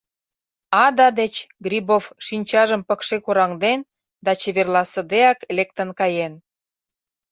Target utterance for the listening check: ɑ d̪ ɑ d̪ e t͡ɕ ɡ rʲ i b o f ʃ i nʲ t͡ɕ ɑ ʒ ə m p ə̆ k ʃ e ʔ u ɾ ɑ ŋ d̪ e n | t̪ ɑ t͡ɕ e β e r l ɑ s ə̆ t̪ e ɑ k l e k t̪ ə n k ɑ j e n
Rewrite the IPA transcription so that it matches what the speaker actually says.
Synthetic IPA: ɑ d̪ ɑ d̪ e t͡ɕ ɡ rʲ i b o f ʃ i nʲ t͡ɕ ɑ ʒ ə m p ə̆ k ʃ e k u ɾ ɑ ŋ d̪ e n | d̪ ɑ t͡ɕ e β e r l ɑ s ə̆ d̪ e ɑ k l e k t̪ ə n k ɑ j e n